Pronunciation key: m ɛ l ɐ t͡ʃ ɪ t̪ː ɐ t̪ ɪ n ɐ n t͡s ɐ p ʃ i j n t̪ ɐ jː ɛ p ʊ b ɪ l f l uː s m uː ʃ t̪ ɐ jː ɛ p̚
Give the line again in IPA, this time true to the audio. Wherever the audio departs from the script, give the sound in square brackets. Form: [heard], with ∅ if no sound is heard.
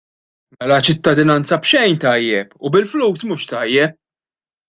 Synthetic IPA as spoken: m ɛ l ɐ t͡ʃ ɪ t̪ː ɐ [d̪] ɪ n ɐ n t͡s ɐ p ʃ [ɛ] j n t̪ ɐ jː ɛ p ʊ b ɪ l f l uː s m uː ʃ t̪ ɐ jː ɛ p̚